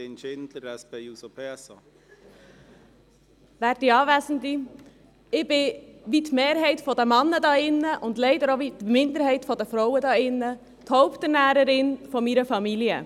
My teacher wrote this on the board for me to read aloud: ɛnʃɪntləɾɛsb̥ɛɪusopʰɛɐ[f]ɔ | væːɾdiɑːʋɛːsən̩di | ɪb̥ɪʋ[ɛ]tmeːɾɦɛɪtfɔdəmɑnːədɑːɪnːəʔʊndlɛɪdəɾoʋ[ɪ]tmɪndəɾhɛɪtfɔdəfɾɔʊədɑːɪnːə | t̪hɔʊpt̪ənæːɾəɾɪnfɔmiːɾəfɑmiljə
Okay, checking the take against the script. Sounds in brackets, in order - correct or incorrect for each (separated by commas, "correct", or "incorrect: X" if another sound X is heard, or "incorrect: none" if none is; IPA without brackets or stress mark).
incorrect: s, incorrect: i, incorrect: i